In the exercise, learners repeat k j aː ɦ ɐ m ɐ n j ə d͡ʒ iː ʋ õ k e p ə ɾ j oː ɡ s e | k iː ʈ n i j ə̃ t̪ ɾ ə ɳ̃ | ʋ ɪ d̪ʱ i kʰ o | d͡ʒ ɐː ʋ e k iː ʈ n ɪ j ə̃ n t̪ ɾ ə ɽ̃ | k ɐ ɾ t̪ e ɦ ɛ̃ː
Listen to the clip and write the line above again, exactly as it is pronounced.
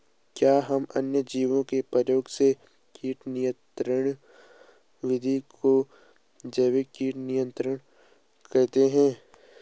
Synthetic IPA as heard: k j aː ɦ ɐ m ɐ n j ə d͡ʒ iː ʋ õ k e p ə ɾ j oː ɡ s e | k iː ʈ n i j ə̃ t̪ ɾ ə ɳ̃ | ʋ ɪ d̪ʱ i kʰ o | d͡ʒ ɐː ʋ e k iː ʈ n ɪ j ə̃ n t̪ ɾ ə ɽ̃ | k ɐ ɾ t̪ e ɦ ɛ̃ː